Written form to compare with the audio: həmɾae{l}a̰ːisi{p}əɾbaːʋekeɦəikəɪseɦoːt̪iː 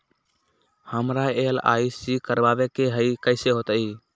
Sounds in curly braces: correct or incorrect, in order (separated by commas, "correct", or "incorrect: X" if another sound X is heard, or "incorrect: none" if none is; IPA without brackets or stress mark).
correct, incorrect: k